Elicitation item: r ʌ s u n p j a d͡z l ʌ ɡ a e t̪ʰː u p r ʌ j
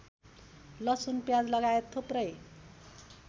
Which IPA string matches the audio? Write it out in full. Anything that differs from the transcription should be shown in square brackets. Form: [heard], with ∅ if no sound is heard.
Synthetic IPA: [l] ʌ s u n p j a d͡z l ʌ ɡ a e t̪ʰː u p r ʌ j